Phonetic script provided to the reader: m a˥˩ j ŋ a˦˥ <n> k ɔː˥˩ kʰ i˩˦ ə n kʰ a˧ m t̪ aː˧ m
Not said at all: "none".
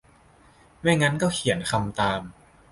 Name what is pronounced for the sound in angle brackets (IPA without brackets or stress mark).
n